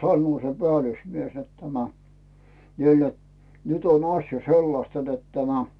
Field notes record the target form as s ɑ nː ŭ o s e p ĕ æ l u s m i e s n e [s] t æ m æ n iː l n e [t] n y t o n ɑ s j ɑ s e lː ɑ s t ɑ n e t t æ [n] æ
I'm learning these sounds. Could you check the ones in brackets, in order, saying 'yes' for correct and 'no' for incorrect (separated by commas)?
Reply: no, yes, no